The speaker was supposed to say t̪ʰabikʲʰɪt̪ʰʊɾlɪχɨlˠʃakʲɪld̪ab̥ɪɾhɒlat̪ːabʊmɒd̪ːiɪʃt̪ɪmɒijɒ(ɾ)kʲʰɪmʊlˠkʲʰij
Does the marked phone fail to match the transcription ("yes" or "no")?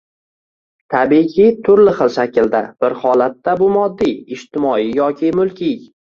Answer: yes